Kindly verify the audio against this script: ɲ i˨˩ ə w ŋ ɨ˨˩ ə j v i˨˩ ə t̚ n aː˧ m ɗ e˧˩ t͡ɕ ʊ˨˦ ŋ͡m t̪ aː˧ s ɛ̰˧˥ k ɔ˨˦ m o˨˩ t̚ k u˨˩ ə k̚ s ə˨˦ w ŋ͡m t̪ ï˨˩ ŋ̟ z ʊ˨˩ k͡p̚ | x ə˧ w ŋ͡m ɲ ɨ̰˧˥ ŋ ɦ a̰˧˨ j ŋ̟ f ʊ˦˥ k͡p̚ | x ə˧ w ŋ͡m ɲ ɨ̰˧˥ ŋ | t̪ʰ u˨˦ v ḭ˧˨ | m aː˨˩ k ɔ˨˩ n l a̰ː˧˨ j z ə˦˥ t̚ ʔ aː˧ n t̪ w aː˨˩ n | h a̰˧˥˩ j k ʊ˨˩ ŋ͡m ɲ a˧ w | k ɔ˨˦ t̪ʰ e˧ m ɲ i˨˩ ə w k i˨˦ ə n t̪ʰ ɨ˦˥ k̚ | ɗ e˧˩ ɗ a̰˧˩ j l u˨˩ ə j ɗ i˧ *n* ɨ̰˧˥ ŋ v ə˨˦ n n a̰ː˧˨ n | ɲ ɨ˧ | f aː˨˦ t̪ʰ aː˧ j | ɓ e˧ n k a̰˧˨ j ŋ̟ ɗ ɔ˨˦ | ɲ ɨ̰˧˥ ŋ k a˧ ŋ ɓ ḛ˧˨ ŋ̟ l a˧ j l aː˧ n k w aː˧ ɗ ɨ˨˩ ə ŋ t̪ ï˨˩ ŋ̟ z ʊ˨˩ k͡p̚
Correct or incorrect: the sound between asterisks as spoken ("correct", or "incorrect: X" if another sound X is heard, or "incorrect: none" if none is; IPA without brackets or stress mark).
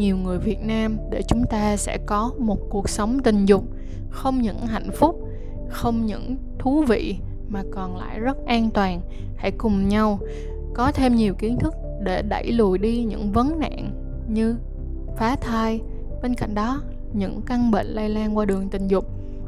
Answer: incorrect: ɲ